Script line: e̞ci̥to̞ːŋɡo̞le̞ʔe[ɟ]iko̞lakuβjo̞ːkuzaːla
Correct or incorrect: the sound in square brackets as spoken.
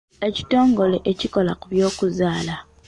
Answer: incorrect: c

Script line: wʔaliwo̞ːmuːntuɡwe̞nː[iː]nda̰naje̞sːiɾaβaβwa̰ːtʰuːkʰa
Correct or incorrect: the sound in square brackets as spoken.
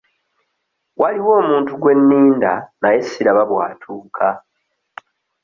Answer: correct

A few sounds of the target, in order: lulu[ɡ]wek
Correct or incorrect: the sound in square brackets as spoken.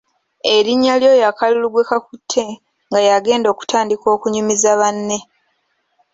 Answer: correct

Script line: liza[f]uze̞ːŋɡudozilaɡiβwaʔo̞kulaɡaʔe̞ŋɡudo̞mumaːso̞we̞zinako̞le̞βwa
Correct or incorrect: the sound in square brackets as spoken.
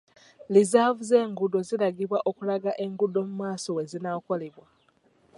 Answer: incorrect: v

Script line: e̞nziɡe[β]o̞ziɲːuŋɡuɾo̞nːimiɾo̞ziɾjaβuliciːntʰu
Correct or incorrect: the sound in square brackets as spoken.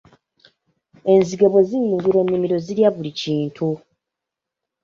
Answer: correct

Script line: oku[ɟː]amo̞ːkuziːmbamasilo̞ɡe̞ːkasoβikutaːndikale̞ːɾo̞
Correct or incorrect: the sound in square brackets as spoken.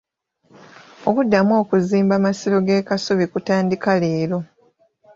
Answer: incorrect: dː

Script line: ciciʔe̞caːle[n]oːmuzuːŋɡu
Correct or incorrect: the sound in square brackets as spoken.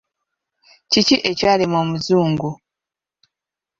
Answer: incorrect: m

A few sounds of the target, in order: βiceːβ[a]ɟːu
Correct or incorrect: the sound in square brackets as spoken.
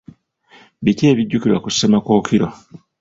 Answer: incorrect: i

